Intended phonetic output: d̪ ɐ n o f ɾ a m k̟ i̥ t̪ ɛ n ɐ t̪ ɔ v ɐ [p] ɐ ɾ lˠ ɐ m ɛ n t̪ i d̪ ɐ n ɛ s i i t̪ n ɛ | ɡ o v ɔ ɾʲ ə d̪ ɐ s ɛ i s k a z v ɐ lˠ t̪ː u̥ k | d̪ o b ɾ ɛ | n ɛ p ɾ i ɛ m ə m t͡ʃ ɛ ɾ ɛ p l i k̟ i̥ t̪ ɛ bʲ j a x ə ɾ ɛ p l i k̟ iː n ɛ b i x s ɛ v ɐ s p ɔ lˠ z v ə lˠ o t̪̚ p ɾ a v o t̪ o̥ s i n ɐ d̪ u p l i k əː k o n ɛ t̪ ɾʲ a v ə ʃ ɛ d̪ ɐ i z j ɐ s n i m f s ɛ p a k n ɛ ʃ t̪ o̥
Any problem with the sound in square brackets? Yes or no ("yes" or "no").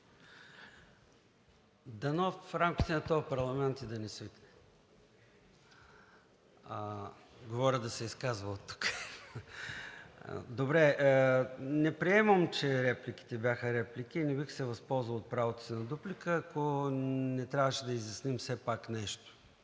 no